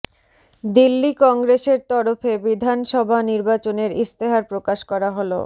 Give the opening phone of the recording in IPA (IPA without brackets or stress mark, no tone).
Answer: d̪